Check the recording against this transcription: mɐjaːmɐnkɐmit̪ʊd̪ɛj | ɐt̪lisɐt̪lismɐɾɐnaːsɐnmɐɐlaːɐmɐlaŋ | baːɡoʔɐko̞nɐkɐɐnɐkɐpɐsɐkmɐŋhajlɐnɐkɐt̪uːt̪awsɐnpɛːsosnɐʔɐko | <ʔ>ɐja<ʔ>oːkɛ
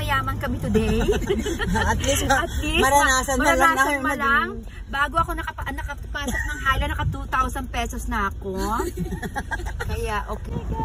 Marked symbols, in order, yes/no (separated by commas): no, yes